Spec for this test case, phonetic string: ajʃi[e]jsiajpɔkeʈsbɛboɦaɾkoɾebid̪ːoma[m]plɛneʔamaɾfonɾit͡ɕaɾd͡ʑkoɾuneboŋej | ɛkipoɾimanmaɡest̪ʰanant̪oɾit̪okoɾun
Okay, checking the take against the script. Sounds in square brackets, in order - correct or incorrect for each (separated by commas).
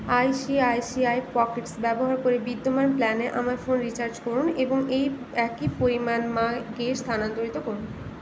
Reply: incorrect, incorrect